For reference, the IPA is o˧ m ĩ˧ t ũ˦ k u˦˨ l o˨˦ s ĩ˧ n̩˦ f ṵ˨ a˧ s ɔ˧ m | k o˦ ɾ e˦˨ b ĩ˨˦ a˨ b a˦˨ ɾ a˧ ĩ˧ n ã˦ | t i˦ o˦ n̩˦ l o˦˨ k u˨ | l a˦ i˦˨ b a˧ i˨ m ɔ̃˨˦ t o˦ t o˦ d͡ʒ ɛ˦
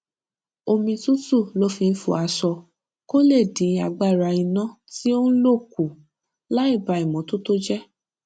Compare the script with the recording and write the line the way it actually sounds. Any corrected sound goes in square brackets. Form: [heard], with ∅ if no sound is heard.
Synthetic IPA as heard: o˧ m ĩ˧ t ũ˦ [t] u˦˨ l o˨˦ [f] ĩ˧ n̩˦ f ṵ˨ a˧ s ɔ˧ [∅] | k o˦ [l] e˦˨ [d] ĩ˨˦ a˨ [ɡ͡b] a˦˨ ɾ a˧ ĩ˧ n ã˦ | t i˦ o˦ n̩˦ l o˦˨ k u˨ | l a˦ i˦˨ b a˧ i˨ m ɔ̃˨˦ t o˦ t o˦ d͡ʒ ɛ˦